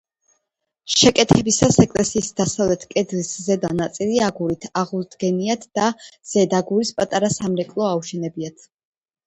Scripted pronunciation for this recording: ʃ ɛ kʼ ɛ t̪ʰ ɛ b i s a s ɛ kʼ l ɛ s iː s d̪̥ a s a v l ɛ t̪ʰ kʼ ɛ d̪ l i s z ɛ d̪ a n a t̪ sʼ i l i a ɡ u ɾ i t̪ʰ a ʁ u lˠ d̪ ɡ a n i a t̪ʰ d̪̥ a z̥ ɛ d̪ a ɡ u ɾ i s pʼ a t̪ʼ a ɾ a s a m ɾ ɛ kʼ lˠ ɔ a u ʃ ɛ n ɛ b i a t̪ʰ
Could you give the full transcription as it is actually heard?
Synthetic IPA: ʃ ɛ kʼ ɛ t̪ʰ ɛ b i s a s ɛ kʼ l ɛ s iː s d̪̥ a s a v l ɛ t̪ʰ kʼ ɛ d̪ l i s z ɛ d̪ a n a t̪ sʼ i l i a ɡ u ɾ i t̪ʰ a ʁ u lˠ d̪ ɡ ɛ n i a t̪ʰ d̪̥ a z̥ ɛ d̪ a ɡ u ɾ i s pʼ a t̪ʼ a ɾ a s a m ɾ ɛ kʼ lˠ ɔ a u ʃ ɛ n ɛ b i a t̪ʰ